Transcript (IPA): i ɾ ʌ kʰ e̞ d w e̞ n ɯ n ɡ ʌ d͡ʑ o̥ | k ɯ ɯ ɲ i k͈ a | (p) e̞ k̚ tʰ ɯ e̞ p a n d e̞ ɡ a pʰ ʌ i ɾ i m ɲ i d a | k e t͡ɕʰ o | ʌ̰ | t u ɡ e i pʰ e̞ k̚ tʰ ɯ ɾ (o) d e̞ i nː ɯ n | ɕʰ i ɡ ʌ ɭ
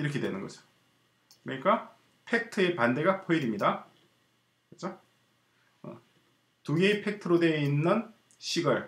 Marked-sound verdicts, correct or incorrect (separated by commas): incorrect, correct